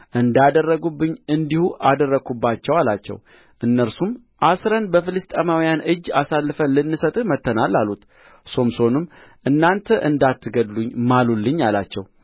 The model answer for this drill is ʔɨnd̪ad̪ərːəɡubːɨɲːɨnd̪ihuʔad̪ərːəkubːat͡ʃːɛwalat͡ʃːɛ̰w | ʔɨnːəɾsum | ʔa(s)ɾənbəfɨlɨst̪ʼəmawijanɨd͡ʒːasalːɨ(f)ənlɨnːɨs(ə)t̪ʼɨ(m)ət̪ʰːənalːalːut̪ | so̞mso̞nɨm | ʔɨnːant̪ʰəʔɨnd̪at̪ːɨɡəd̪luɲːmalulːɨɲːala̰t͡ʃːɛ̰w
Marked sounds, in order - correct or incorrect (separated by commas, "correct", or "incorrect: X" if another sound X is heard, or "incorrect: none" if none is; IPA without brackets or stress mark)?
correct, correct, correct, correct